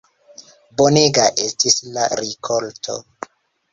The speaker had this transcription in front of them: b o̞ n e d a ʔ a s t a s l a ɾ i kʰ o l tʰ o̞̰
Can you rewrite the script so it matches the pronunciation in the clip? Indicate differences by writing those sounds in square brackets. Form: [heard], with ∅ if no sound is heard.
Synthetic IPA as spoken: b o̞ n e [ɡ] a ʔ [e] s t [i] s l a ɾ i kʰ o l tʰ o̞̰